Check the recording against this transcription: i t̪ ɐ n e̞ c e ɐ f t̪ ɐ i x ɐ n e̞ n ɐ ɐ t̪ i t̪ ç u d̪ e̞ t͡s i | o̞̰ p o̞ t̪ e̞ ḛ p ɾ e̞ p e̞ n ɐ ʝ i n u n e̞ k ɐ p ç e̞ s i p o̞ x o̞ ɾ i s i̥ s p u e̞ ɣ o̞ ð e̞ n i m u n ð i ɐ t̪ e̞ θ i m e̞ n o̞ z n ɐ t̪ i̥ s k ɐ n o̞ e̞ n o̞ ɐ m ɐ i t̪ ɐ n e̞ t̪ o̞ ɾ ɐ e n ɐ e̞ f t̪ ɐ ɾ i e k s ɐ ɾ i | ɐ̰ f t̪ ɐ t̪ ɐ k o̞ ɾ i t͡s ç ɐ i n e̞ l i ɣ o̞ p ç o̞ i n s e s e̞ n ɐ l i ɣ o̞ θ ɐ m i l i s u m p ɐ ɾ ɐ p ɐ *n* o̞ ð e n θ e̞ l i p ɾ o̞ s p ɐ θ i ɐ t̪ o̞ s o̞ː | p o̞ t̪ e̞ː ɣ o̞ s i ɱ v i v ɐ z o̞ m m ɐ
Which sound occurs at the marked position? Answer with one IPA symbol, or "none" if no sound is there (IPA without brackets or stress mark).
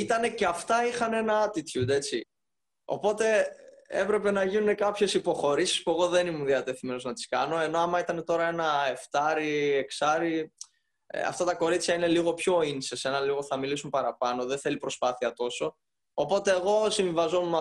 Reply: n